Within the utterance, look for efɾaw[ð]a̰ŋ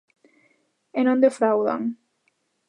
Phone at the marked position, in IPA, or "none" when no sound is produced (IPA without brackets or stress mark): ð